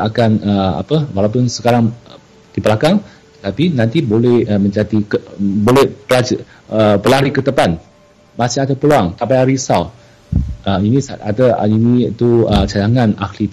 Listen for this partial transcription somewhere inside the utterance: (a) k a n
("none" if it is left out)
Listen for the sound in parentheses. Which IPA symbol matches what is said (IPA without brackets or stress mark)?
a